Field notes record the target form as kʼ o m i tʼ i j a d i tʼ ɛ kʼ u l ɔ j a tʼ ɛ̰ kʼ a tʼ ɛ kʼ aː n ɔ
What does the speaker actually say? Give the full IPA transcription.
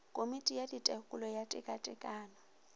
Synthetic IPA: kʼ o m i tʼ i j a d i tʼ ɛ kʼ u l ɔ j a tʼ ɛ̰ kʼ a tʼ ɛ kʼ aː n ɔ